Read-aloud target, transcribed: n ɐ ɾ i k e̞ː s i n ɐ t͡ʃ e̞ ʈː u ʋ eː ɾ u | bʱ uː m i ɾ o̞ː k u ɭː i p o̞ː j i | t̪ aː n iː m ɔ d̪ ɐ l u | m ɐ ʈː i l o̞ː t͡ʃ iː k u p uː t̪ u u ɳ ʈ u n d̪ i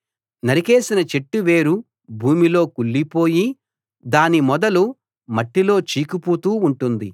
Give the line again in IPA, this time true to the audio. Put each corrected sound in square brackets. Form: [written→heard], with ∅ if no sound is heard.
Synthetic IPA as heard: n ɐ ɾ i k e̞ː s i n ɐ t͡ʃ e̞ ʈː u ʋ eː ɾ u | bʱ uː m i [ɾ→l] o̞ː k u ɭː i p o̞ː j i | [t̪→d̪] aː n [iː→i] m ɔ d̪ ɐ l u | m ɐ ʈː i l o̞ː t͡ʃ iː k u p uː t̪ [u→uː] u ɳ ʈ u n d̪ i